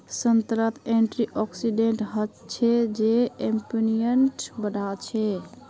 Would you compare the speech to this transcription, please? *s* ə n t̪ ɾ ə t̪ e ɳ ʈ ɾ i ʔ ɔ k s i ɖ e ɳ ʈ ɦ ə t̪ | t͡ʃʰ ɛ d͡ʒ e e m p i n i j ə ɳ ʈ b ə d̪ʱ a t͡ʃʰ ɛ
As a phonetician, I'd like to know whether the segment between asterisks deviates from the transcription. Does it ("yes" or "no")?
no